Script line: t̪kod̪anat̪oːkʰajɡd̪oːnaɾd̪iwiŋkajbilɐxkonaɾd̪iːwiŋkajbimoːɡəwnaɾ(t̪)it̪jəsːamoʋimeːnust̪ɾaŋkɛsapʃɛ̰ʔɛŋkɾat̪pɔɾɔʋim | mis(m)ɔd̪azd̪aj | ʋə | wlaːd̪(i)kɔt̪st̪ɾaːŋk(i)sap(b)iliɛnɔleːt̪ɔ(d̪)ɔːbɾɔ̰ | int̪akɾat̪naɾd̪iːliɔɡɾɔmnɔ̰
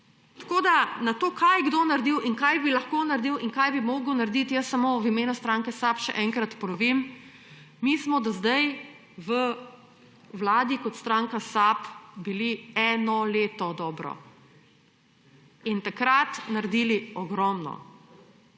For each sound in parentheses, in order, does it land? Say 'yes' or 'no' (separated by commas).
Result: no, yes, yes, no, yes, yes